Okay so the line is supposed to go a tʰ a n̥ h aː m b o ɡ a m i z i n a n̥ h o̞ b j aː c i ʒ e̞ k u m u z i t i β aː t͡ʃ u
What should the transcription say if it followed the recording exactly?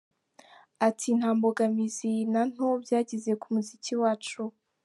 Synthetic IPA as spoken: a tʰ i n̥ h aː m b o ɡ a m i z i n a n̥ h o̞ b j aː ɟ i z e̞ k u m u z i c i w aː t͡ʃ u